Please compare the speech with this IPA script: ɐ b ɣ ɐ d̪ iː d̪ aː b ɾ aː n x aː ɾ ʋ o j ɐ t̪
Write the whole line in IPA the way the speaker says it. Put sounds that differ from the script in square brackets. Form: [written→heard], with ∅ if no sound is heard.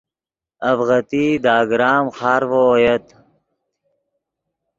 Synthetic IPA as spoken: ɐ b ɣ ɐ [d̪→t̪] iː d̪ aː [b→ɡ] ɾ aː [n→m] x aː ɾ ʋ o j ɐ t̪